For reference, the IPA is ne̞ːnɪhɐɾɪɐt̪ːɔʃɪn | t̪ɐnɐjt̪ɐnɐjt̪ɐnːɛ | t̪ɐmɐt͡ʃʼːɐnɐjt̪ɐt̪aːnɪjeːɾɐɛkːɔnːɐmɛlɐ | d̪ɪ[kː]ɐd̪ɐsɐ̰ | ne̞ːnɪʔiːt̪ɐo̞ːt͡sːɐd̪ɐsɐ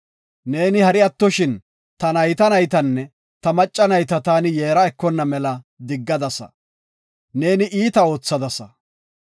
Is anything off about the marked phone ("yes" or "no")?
yes